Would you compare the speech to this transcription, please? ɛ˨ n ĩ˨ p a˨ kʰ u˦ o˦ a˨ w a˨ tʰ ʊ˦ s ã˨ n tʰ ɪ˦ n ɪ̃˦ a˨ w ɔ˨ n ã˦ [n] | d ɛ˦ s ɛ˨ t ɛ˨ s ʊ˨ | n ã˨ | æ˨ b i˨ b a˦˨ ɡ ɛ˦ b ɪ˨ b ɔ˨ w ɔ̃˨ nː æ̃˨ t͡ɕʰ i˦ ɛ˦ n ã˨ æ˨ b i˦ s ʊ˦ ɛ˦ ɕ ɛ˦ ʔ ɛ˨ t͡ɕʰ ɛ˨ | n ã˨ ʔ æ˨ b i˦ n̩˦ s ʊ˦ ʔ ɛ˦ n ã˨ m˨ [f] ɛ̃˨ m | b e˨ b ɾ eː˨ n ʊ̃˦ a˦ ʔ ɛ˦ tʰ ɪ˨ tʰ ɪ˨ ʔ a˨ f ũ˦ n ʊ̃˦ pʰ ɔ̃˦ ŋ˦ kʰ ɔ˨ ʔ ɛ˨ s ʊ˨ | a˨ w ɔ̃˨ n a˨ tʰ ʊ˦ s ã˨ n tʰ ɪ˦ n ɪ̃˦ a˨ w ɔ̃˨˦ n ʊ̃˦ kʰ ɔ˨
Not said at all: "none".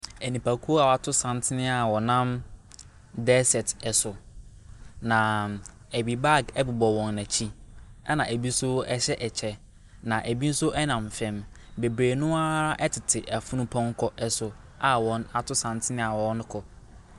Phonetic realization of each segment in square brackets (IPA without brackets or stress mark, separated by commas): m, f